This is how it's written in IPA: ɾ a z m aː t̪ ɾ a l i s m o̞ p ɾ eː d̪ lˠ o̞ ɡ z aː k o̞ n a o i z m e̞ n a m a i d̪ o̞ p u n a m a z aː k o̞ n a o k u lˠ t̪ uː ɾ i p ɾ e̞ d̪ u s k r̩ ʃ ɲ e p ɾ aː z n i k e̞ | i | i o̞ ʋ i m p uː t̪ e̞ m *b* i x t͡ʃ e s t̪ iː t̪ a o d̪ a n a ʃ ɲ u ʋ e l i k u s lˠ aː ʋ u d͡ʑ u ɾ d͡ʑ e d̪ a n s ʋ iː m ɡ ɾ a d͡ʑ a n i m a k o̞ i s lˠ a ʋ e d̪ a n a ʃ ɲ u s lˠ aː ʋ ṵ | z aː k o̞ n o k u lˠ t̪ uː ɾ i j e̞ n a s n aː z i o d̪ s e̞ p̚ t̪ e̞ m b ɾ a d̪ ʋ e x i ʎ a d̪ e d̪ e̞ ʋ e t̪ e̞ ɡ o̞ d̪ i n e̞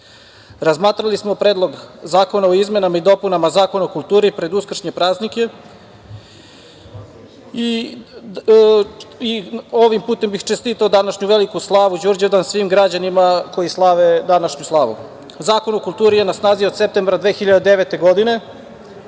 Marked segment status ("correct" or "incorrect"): correct